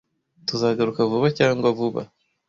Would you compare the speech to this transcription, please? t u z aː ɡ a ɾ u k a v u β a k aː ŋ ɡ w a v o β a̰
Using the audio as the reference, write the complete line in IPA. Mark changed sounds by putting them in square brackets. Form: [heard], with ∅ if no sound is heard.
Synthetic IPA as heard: t u z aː ɡ a ɾ u k a v u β a [c] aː ŋ ɡ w a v [u] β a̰